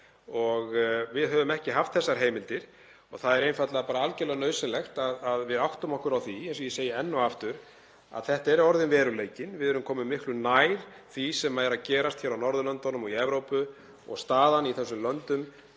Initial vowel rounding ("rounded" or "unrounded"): rounded